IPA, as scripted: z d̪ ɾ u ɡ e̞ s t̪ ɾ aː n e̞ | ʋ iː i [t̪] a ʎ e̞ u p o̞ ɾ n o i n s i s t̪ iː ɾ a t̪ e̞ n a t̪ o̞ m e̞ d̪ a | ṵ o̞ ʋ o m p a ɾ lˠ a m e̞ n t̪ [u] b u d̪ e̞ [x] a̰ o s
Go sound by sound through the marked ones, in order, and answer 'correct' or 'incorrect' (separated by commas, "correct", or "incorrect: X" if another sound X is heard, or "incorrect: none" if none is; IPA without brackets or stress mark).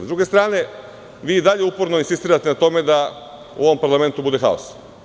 incorrect: d̪, correct, correct